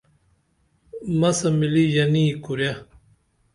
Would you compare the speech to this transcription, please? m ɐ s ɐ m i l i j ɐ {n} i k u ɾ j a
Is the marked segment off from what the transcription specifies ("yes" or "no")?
no